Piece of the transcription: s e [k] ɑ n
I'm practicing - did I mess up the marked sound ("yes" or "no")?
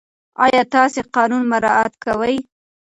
yes